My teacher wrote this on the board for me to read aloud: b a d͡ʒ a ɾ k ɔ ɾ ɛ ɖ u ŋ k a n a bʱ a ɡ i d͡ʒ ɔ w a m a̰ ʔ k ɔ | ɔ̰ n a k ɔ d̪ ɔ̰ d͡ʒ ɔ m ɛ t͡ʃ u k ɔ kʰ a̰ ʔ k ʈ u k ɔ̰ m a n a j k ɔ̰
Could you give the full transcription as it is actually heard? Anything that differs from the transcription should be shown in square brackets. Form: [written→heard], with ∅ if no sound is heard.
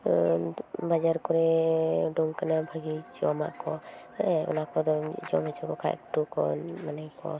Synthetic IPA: b a d͡ʒ a ɾ k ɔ ɾ ɛ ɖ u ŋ k a n a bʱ a ɡ i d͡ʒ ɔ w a m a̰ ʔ k ɔ | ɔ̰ n a k ɔ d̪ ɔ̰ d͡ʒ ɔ m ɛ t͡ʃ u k ɔ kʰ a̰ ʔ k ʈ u k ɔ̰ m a n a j k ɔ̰